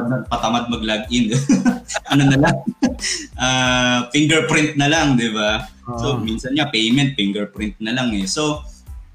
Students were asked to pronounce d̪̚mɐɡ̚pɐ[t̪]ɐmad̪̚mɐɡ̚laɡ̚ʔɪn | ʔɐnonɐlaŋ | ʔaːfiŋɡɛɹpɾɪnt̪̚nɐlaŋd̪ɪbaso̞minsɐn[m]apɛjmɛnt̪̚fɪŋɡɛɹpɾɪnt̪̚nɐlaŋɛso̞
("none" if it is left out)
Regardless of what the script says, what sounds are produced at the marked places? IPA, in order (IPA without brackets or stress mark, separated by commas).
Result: t̪, ɲ